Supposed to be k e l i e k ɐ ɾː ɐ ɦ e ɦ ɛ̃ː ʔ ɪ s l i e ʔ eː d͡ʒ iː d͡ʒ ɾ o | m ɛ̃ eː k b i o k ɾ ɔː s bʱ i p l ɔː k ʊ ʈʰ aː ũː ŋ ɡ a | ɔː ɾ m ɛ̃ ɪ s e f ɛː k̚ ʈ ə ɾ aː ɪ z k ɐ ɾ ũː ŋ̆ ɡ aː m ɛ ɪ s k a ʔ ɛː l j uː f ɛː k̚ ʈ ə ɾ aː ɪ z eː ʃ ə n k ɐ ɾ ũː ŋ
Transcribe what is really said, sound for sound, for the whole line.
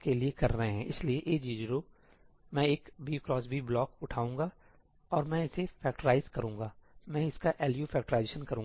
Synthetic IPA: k e l i e k ɐ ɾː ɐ ɦ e ɦ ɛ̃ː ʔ ɪ s l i e ʔ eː d͡ʒ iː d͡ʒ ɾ o | m ɛ̃ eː k b i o k ɾ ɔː s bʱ i b l ɔː k ʊ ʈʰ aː ũː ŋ ɡ a | ɔː ɾ m ɛ̃ ɪ s e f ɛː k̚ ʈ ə ɾ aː ɪ z k ɐ ɾ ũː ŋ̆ ɡ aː m ɛ̃ ɪ s k a ʔ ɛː l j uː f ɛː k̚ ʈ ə ɾ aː ɪ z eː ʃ ə n k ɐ ɾ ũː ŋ